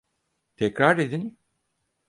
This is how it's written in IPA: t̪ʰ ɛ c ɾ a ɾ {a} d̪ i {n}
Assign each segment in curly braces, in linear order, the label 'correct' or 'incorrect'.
incorrect, correct

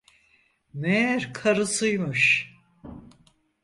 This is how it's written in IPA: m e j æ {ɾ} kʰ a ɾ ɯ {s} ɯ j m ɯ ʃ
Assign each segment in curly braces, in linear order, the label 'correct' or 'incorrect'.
correct, correct

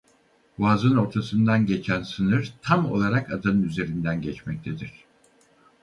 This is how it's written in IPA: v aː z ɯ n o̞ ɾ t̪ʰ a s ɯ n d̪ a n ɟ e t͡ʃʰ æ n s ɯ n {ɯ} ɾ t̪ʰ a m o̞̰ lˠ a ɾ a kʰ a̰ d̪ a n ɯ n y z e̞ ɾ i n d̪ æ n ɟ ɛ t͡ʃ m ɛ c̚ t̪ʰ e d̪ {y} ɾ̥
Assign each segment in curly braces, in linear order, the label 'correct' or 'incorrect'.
correct, incorrect

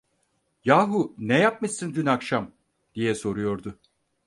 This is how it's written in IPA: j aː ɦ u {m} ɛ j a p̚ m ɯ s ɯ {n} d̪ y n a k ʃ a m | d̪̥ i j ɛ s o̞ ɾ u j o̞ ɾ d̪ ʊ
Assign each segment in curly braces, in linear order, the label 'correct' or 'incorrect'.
incorrect, correct

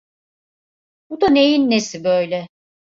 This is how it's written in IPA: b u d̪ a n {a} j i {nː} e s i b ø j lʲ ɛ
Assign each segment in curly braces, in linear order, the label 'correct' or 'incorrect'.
incorrect, correct

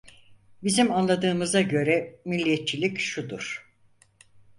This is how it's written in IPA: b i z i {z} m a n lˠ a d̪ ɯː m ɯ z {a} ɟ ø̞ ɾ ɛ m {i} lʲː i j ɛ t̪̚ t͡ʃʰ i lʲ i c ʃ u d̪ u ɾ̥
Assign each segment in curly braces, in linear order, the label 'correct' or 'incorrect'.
incorrect, correct, correct

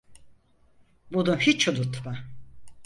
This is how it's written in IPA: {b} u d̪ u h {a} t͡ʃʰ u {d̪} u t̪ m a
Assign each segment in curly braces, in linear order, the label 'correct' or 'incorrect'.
correct, incorrect, correct

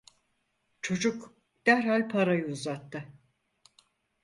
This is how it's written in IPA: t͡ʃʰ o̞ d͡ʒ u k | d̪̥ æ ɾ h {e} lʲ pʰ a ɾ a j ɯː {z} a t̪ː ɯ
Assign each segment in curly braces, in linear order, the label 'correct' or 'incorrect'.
incorrect, correct

